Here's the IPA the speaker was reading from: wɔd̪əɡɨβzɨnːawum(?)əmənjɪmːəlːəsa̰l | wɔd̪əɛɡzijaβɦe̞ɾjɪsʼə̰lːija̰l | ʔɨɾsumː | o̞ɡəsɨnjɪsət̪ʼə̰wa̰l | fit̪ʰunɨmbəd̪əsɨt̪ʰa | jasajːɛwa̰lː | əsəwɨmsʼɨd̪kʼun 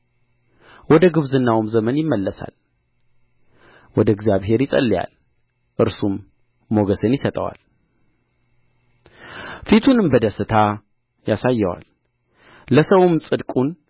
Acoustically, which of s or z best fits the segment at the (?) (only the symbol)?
z